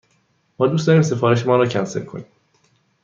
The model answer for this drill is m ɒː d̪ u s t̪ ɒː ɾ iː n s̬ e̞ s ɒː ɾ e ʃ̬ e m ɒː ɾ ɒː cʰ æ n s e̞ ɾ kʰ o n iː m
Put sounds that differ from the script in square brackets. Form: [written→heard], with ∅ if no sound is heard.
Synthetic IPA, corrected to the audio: m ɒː d̪ u s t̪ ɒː ɾ iː [n→m] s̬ e̞ [s→f] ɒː ɾ e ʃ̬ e m ɒː ɾ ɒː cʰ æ n s e̞ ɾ kʰ o n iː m